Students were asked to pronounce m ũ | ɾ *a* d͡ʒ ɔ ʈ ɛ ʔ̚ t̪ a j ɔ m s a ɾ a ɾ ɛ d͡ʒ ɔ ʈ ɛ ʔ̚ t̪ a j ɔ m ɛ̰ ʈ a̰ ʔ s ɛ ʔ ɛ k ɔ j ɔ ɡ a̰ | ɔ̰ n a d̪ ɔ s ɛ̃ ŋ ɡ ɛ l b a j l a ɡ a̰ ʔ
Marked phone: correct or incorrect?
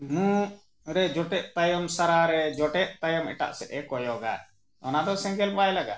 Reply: incorrect